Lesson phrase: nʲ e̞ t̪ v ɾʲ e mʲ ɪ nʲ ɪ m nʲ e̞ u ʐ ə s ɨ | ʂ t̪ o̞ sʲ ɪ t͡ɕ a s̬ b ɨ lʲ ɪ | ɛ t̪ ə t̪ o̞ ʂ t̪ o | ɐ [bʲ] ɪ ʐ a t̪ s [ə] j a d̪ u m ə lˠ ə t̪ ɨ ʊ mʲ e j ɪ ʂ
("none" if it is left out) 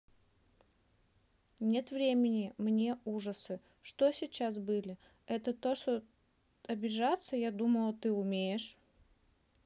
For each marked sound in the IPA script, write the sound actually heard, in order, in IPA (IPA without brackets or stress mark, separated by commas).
bʲ, ə